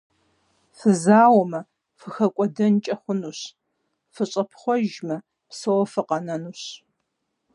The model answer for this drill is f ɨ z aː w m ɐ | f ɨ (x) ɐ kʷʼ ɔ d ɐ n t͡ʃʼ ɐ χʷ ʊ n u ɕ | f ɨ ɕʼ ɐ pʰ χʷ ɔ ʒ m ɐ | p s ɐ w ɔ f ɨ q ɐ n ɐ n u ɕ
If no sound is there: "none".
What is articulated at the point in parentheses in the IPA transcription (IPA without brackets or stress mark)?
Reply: x